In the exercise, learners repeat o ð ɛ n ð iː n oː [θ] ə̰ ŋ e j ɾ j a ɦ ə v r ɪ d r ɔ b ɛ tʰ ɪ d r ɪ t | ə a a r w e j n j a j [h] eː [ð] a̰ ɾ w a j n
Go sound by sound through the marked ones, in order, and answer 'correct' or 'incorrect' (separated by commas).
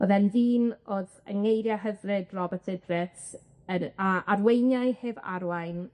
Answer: incorrect, correct, incorrect